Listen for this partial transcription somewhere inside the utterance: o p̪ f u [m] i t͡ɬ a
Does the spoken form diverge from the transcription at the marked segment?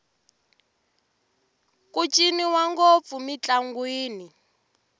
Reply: no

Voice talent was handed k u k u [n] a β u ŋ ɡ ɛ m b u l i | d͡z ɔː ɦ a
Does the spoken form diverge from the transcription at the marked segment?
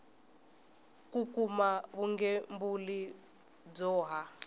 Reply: yes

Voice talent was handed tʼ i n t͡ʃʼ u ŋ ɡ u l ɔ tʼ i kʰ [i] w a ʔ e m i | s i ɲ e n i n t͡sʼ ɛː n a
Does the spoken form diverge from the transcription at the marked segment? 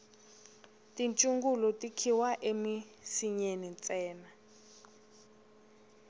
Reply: no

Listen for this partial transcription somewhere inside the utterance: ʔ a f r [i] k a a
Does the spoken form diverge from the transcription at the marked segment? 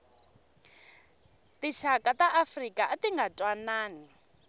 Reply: no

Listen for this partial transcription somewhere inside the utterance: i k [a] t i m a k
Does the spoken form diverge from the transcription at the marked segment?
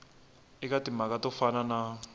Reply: no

